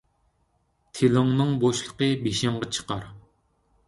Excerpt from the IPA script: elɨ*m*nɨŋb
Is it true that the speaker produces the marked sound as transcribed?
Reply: no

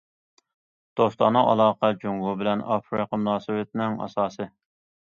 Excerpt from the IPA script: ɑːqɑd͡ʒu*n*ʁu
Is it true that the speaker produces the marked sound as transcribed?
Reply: no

